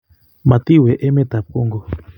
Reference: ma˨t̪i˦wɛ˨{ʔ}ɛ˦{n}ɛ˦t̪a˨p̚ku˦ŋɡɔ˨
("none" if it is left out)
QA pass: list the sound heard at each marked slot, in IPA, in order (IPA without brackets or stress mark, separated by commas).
ʔ, m